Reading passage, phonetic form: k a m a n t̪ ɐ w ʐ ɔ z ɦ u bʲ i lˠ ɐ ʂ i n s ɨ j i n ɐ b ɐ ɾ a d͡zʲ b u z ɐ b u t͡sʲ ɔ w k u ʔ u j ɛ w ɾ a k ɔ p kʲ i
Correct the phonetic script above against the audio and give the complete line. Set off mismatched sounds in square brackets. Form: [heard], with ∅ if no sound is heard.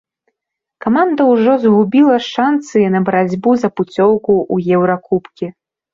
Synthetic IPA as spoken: k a m a n [d̪] ɐ w ʐ ɔ z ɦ u bʲ i lˠ ɐ ʂ [a] n s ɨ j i n ɐ b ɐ ɾ a d͡zʲ b u z ɐ [p] u t͡sʲ ɔ w k u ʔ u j ɛ w ɾ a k [u] p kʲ i